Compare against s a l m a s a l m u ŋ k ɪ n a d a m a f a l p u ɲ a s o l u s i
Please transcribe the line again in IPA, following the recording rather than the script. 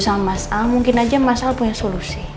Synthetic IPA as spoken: s a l m a s a l m u ŋ k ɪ n a d͡ʒ a m a s a l p u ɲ a s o l u s i